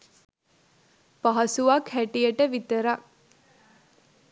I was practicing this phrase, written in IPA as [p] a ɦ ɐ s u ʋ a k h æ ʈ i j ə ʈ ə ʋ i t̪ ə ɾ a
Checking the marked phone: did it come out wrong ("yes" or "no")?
no